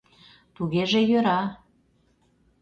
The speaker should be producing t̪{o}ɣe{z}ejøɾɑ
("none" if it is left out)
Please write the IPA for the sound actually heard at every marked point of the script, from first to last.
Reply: u, ʒ

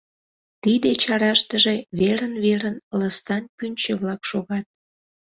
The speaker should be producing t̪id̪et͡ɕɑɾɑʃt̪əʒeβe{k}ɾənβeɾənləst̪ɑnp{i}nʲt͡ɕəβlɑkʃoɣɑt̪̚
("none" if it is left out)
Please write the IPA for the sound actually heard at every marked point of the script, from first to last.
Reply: none, y

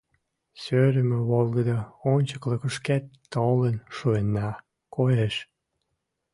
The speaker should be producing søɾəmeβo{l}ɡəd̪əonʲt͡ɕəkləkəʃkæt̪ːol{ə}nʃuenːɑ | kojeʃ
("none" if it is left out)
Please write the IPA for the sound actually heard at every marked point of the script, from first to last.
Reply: l, ə

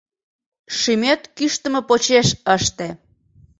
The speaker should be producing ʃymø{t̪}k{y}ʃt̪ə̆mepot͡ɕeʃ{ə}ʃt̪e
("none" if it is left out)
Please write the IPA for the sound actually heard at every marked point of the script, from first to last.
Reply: t̪, y, ə

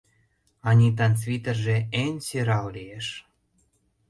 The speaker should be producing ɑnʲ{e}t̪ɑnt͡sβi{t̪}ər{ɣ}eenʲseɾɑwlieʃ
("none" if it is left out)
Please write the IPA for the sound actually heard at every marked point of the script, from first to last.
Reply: i, t̪, ʒ

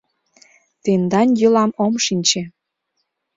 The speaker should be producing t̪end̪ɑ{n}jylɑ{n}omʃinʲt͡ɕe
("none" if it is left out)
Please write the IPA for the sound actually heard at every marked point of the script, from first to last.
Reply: n, m

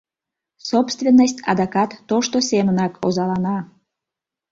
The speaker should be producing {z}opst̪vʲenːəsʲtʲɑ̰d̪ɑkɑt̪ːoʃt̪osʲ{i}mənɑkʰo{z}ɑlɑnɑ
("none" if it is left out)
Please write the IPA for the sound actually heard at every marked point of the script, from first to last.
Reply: s, e, z

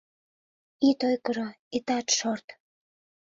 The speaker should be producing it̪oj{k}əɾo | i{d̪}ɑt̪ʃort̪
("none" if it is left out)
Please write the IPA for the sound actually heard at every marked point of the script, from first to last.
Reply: k, t̪

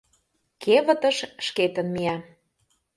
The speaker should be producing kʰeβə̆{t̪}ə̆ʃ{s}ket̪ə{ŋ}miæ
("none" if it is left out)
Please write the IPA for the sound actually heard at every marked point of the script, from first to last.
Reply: t̪, ʃ, n

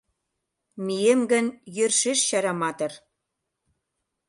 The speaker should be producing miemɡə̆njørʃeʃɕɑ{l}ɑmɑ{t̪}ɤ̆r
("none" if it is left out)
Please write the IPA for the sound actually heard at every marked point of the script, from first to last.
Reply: ɾ, t̪

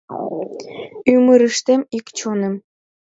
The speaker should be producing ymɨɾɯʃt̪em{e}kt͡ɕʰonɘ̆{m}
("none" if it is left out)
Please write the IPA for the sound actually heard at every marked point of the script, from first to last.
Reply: i, m

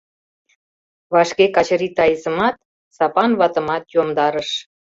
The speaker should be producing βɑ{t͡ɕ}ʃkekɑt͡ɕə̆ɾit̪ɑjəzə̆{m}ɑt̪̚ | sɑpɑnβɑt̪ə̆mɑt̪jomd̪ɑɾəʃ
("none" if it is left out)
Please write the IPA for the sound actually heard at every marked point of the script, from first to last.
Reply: none, m

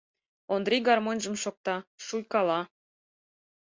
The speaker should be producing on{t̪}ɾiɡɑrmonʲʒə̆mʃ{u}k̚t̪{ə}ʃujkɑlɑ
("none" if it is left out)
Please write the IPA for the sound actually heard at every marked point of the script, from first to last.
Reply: d̪, o, ɑ

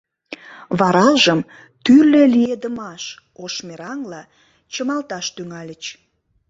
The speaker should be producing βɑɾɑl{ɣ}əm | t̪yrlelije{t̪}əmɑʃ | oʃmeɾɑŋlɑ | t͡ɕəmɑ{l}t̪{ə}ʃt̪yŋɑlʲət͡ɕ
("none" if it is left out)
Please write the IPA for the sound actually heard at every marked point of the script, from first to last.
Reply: ʒ, d̪, l, ɑ

